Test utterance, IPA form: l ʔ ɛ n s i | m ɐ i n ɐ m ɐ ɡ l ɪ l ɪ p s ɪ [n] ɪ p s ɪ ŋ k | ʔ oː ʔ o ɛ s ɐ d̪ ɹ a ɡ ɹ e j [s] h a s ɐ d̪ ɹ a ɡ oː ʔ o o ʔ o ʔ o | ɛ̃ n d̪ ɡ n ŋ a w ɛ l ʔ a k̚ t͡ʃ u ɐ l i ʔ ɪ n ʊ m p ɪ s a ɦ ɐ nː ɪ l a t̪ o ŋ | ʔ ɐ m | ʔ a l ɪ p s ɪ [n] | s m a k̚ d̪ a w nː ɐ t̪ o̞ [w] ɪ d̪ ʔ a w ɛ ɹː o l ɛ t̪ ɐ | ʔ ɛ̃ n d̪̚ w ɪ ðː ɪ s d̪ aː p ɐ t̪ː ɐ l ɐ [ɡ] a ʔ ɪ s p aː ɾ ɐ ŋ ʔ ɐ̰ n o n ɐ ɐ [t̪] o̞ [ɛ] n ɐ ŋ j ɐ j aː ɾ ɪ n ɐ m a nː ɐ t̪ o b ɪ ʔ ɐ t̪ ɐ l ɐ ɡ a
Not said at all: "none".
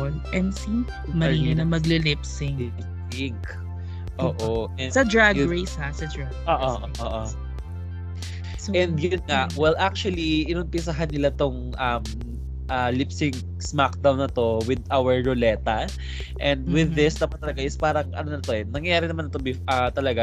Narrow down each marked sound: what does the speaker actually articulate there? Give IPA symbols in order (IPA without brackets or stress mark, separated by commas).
ŋ, s, ŋ, w, ɡ, t̪, ɛ